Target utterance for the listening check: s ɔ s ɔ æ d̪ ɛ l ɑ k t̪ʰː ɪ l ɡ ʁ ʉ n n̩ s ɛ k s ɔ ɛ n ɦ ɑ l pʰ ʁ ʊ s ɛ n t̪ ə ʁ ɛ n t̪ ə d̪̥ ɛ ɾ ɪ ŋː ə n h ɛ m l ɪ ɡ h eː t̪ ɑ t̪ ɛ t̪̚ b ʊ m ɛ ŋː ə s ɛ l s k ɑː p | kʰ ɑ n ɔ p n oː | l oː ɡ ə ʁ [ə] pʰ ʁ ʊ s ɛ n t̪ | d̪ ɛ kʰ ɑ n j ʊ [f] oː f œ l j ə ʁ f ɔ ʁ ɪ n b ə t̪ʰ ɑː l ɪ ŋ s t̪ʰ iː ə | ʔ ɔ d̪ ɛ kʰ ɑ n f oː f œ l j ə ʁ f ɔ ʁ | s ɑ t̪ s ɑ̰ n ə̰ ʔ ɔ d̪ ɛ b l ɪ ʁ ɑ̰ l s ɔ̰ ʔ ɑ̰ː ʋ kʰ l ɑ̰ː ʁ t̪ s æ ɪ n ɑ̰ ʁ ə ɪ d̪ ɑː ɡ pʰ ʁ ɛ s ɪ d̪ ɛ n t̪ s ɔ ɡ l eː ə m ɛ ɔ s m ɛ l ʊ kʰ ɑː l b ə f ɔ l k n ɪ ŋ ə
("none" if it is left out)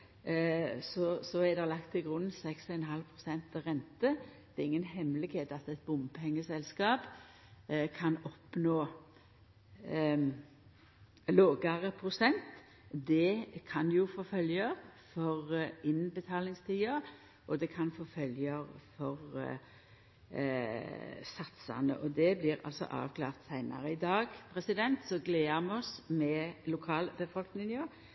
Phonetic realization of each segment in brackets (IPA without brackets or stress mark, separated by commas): ə, f